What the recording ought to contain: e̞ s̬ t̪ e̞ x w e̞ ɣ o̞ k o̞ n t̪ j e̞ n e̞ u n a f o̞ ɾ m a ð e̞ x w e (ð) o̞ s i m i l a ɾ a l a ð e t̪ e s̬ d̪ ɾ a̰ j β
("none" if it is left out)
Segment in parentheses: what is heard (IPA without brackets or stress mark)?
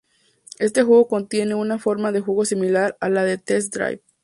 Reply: ɣ